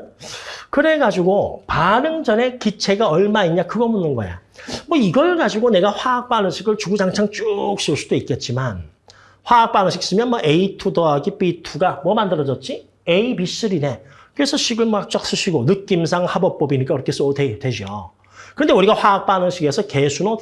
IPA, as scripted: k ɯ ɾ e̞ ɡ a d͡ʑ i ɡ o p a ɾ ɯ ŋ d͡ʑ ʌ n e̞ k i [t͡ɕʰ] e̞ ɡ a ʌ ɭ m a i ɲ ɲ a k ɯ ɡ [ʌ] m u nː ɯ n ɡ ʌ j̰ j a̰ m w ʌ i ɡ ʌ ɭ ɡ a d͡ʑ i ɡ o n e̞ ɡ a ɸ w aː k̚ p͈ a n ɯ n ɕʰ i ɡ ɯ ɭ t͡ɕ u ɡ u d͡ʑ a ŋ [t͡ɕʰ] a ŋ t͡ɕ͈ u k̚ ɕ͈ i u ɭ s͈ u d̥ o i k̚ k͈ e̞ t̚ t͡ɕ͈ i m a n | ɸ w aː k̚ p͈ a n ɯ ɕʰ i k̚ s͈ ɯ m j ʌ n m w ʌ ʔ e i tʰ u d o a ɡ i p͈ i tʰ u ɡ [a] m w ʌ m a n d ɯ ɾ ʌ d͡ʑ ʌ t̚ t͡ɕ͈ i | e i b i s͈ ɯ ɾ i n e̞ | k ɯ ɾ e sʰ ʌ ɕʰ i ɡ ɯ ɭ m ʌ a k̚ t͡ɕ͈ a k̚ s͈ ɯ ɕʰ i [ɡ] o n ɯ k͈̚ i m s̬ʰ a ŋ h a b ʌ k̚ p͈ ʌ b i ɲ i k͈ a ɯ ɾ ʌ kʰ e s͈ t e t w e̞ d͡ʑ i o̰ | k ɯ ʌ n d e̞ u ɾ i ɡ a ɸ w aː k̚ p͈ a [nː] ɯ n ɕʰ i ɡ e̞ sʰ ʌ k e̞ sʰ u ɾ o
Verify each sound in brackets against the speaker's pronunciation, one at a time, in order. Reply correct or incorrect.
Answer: correct, correct, correct, correct, correct, incorrect: n

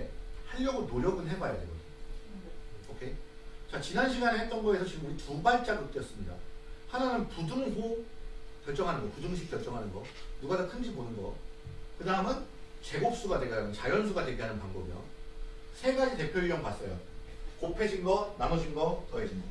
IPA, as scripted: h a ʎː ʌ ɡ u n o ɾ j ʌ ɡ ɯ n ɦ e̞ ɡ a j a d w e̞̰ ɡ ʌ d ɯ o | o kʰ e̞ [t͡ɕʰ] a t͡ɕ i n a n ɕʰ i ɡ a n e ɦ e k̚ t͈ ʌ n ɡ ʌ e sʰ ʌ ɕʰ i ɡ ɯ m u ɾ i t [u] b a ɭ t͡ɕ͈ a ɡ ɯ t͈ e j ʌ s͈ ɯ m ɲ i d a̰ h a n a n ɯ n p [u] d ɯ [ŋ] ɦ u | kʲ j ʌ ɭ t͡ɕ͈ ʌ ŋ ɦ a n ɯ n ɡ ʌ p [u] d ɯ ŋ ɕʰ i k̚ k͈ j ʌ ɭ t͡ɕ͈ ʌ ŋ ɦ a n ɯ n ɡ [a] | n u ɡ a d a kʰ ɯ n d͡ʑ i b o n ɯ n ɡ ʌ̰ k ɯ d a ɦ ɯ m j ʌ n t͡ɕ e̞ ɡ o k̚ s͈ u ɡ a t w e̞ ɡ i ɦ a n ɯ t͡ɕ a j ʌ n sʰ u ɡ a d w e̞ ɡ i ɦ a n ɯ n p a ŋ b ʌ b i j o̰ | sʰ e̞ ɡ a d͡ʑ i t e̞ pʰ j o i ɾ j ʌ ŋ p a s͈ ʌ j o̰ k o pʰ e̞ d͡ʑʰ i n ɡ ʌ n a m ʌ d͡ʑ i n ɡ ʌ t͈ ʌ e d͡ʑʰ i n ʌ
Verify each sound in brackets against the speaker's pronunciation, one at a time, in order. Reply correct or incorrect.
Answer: incorrect: t͡ɕ, correct, correct, correct, correct, incorrect: ʌ

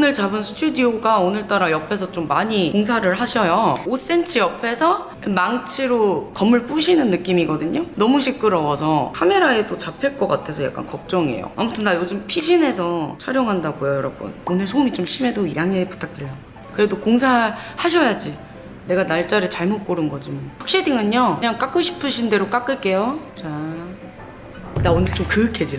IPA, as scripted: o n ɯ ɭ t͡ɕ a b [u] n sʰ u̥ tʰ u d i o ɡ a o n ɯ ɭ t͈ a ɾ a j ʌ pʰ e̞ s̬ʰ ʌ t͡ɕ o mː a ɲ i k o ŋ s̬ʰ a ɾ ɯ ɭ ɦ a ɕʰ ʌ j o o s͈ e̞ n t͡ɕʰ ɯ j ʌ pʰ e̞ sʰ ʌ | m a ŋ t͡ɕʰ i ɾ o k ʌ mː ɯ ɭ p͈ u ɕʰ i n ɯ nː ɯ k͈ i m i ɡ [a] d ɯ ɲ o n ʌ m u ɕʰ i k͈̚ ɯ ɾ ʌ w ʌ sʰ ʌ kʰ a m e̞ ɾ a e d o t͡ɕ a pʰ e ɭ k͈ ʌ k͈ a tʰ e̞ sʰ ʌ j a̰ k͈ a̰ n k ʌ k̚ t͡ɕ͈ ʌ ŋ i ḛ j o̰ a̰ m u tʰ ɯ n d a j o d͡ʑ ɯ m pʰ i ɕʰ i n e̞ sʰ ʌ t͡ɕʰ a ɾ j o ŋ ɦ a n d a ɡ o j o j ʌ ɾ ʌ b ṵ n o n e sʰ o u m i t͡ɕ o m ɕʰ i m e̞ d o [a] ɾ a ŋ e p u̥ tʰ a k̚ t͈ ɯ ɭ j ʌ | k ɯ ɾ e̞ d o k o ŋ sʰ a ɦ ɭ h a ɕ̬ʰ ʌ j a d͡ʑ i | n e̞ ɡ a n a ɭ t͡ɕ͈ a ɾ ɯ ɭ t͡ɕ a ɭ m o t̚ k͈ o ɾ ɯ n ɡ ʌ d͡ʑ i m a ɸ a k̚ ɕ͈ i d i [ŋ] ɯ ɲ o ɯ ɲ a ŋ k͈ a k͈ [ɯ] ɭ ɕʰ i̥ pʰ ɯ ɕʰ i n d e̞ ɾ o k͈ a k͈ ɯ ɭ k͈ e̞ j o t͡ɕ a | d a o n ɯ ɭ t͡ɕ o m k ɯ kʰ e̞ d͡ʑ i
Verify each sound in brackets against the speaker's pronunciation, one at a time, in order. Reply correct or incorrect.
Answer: incorrect: ɯ, incorrect: ʌ, incorrect: i, correct, correct

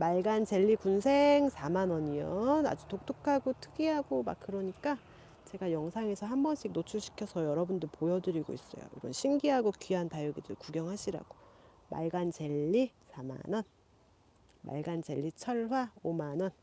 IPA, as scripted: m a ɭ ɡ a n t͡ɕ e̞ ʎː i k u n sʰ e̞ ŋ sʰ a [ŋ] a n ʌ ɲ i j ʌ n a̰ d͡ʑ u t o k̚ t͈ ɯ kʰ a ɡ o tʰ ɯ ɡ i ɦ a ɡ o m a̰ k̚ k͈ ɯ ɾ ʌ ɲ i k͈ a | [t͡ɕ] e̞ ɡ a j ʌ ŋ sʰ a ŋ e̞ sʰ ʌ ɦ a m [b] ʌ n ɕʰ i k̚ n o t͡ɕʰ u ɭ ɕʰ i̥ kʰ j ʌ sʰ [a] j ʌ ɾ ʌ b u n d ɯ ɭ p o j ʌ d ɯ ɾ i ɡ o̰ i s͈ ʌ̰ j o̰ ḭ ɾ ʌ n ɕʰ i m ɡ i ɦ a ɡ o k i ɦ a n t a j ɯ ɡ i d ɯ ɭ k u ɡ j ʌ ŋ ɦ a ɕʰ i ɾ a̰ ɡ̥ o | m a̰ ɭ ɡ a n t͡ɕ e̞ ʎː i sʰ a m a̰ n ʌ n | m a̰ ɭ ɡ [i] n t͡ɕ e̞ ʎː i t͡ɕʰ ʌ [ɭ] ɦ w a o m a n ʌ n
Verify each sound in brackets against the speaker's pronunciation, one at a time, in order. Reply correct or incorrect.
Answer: incorrect: m, correct, correct, incorrect: ʌ, incorrect: a, correct

